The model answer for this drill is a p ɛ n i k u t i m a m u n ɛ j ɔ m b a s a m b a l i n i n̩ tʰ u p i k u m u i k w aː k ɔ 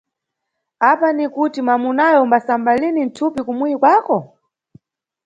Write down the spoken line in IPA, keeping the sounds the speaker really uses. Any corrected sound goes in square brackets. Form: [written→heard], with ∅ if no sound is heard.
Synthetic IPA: a p [ɛ→a] n i k u t i m a m u n [ɛ→a] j ɔ m b a s a m b a l i n i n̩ tʰ u p i k u m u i k w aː k ɔ